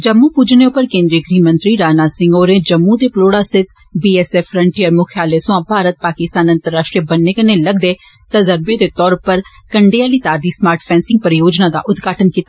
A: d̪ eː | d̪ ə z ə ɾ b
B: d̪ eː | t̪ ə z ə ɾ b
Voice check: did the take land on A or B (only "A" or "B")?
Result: B